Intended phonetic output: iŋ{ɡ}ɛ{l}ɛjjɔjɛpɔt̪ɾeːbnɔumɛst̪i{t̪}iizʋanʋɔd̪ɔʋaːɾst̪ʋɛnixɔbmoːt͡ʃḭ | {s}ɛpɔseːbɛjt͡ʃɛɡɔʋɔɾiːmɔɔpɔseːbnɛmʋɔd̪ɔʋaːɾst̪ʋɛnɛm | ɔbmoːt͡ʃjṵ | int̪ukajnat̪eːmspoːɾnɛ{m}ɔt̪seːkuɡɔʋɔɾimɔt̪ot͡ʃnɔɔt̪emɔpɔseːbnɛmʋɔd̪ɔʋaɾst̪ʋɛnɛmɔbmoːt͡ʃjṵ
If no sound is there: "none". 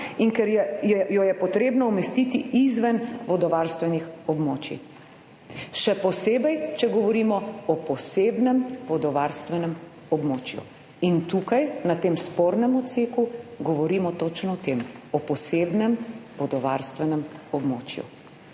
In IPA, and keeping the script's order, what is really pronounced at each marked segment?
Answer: k, ɾ, t̪, ʃ, m

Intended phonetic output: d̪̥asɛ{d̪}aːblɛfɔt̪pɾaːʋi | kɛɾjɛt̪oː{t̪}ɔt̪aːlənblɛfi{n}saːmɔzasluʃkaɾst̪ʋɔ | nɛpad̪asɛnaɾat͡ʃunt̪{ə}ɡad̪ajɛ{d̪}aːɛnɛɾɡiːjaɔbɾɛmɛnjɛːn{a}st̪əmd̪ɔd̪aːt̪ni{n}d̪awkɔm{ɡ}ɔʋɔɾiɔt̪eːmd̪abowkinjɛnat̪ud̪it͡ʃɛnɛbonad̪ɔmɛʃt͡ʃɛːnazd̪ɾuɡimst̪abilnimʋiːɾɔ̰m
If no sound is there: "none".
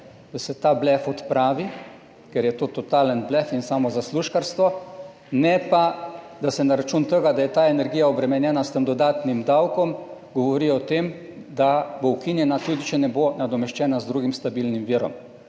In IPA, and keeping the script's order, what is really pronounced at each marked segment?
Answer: t̪, t̪, n, ə, t̪, a, m, ɡ

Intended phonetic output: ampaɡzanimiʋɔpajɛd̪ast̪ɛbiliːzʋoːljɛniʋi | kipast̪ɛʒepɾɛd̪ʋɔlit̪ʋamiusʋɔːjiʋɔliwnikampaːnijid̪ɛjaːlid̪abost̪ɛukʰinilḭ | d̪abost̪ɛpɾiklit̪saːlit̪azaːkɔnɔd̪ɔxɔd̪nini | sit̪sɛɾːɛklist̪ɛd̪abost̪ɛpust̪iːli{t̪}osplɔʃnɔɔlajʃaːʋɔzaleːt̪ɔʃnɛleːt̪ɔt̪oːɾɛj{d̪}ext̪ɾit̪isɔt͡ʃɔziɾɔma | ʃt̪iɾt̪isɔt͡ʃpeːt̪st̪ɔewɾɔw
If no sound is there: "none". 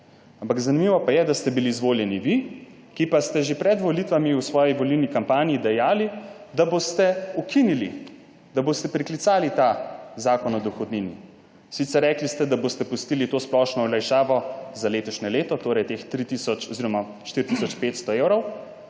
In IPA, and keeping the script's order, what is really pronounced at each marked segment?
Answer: t̪, t̪

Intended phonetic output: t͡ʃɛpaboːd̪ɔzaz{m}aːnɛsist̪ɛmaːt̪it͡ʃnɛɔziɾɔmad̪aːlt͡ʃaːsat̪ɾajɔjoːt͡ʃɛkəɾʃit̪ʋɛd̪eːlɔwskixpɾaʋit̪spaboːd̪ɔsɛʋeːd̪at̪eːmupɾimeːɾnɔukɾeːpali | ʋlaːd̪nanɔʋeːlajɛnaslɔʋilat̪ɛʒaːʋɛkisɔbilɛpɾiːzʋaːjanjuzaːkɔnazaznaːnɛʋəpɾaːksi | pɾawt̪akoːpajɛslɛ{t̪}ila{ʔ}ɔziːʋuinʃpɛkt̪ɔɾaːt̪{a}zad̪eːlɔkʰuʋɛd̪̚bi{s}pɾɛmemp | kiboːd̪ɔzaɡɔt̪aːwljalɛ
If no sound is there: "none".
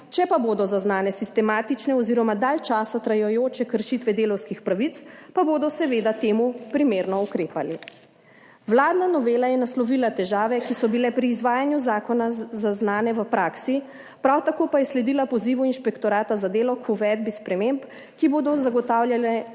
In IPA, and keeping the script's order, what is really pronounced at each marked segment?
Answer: n, d̪, p, a, s

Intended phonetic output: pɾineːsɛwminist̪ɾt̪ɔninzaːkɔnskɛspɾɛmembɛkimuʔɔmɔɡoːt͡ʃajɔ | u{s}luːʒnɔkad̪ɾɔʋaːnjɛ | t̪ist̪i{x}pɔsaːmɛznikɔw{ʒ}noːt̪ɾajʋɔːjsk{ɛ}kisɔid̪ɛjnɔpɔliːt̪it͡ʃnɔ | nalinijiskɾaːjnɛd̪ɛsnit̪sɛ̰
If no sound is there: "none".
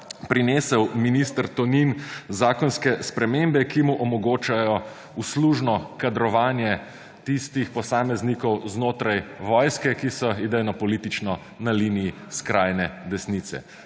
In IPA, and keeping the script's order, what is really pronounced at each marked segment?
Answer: s, x, z, ɛ

